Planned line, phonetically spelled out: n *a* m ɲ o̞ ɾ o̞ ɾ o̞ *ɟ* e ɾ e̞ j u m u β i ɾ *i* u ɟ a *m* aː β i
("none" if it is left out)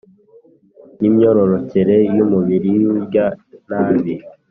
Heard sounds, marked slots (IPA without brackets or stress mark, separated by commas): i, c, i, n